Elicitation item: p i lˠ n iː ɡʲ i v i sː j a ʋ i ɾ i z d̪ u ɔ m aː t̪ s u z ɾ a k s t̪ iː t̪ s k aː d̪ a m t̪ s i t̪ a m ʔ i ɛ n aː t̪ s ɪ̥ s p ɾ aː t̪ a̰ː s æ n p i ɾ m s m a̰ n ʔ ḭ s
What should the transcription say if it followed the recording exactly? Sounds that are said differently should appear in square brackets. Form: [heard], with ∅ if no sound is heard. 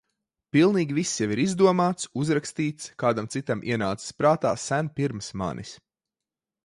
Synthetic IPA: p i lˠ n iː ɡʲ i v i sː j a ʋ i ɾ i z d̪ u ɔ m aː t̪ s u z ɾ a k s t̪ iː t̪ s k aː d̪ a m t̪ s i t̪ a m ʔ i ɛ n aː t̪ s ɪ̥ s p ɾ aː t̪ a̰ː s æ n p i ɾ m s m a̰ n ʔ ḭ s